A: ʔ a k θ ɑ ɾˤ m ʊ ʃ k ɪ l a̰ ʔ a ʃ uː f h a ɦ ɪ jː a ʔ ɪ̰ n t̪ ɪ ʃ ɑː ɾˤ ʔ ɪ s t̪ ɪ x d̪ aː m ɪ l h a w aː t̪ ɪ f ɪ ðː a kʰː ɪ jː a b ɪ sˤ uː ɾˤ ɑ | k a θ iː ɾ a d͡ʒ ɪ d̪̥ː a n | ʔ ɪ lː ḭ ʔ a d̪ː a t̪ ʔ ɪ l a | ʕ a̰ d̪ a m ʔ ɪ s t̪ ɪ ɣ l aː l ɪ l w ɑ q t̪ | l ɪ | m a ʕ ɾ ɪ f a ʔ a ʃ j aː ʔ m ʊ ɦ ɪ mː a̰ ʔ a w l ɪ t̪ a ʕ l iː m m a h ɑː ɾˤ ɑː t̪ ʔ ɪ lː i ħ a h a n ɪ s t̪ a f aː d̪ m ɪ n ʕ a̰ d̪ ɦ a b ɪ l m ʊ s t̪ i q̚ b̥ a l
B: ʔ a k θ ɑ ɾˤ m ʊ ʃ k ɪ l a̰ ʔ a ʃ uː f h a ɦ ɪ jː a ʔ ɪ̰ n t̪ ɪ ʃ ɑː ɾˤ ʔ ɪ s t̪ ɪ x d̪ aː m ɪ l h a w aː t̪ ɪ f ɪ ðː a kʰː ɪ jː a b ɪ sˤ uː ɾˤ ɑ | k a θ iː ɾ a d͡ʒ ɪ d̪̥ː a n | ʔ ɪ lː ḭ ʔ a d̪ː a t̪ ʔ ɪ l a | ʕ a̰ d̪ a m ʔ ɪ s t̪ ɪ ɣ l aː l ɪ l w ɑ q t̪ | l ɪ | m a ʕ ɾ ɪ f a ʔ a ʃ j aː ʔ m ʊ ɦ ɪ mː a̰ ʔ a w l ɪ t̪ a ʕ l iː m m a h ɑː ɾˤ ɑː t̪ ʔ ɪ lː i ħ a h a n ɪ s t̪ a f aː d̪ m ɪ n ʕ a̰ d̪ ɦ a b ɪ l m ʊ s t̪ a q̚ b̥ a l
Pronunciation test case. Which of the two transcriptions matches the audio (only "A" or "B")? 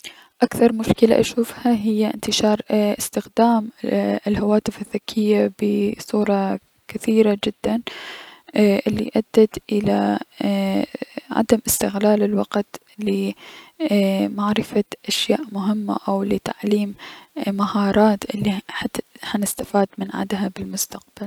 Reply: B